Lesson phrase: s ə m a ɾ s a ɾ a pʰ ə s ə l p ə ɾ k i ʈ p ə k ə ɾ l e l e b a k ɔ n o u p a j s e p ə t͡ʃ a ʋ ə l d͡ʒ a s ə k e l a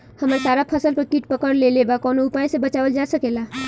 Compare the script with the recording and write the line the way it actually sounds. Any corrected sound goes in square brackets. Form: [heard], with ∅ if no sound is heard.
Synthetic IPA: [h] ə m [ə] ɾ s a ɾ a pʰ ə s ə l p ə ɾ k i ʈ p ə k ə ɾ l e l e b a k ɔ n o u p a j s e [b] ə t͡ʃ a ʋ ə l d͡ʒ a s ə k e l a